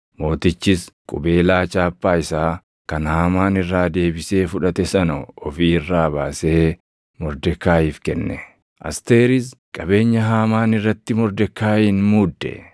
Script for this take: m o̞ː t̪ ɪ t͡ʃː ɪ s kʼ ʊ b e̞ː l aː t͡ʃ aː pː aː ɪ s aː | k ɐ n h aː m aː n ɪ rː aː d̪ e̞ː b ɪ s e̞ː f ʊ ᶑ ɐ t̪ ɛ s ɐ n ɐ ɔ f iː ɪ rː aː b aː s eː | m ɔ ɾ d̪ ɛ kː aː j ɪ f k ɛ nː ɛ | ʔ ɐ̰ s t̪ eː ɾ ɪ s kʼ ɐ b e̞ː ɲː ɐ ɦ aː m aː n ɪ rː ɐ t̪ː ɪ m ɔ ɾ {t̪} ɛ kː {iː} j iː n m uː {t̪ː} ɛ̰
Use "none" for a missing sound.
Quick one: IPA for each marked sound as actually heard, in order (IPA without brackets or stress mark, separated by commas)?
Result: d̪, aː, d̪ː